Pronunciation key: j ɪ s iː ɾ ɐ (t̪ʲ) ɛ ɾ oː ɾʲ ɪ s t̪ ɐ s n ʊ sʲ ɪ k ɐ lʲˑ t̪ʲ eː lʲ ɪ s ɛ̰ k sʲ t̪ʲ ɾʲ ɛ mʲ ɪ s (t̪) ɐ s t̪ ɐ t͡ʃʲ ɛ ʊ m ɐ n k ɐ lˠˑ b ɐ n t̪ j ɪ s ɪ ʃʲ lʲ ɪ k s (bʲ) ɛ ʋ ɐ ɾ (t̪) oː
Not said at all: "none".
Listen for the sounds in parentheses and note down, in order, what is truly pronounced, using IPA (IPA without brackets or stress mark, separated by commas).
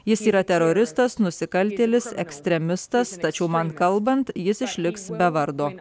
t̪ʲ, t̪, bʲ, d̪